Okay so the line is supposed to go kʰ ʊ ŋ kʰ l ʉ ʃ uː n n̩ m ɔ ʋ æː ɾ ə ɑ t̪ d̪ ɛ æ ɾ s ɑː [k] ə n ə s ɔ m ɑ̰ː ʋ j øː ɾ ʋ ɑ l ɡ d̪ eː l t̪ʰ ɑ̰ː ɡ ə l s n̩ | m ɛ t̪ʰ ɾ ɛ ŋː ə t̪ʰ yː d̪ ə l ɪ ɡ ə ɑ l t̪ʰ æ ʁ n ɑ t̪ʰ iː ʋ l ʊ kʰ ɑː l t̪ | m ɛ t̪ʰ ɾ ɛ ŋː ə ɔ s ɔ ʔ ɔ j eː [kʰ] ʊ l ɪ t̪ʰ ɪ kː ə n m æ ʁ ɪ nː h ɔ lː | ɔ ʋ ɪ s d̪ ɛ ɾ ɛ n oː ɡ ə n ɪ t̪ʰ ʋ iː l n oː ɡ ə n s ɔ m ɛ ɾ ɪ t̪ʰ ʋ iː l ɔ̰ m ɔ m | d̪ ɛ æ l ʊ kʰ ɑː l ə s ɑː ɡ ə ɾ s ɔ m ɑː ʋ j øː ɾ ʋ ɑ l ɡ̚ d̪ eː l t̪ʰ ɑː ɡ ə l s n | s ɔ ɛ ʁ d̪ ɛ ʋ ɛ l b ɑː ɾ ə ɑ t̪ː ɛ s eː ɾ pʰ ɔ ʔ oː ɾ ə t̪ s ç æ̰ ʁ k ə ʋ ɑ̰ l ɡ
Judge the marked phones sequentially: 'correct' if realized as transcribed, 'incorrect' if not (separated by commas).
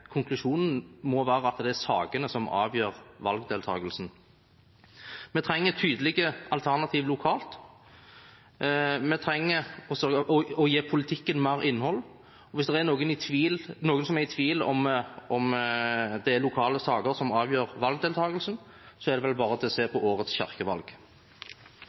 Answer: incorrect, incorrect